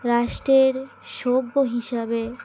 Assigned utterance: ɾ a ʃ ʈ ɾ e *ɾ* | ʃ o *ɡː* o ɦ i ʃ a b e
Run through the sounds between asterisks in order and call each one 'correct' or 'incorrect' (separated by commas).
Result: correct, incorrect